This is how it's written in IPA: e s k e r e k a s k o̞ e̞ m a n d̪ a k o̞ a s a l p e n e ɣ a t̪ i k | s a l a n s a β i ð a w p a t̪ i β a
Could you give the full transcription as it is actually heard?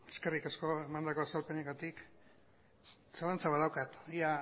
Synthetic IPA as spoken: e s k e r i k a s k o̞ e̞ m a n d̪ a k o̞ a s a l p e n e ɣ a t̪ i k | s a l a n t͡s a β a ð a w k a t̪ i a